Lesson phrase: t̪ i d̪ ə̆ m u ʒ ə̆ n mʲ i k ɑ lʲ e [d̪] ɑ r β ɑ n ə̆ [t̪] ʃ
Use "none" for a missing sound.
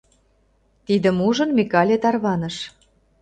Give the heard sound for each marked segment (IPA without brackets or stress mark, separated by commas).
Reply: t̪, none